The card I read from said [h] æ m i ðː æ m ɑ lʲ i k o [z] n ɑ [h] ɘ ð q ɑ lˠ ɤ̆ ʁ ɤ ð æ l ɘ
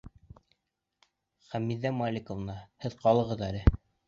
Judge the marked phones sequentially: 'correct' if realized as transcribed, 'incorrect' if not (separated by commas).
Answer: incorrect, incorrect, correct